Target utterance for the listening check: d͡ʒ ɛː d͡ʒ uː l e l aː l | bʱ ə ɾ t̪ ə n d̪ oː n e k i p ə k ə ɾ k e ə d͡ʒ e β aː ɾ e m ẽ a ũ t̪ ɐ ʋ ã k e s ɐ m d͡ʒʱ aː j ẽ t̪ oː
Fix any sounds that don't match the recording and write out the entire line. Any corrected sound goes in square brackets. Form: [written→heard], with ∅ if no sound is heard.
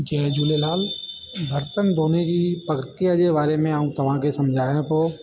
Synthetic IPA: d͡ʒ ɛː d͡ʒ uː l e l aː l | bʱ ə ɾ t̪ ə n d̪ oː n e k i p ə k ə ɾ k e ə d͡ʒ e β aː ɾ e m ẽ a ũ t̪ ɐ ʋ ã k e s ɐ m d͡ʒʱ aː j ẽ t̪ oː